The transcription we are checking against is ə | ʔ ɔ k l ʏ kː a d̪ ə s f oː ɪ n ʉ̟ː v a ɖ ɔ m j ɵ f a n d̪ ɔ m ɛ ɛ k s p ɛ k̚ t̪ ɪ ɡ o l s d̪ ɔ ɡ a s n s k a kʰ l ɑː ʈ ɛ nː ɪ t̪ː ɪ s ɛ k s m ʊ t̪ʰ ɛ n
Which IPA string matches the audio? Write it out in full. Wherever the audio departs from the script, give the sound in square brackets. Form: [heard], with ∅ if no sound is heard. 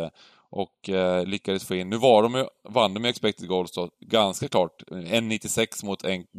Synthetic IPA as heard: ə | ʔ ɔ k l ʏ kː a d̪ ə s f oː ɪ [nː] ʉ̟ː v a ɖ ɔ m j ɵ [v] a n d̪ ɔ m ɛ ɛ k s p ɛ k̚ t̪ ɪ ɡ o l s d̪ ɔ ɡ a [∅] n s k a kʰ l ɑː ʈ ɛ nː ɪ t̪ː ɪ s ɛ k s m ʊ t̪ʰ ɛ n